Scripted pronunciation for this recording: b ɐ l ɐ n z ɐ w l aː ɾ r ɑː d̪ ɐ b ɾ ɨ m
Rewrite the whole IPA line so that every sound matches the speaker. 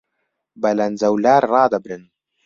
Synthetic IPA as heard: b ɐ l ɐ n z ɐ w l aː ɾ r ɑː d̪ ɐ b ɾ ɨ n